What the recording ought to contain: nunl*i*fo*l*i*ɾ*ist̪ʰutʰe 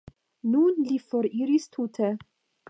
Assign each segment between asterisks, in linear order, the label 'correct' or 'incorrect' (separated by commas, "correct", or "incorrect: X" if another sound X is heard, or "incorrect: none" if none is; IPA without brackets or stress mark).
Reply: correct, incorrect: ɾ, correct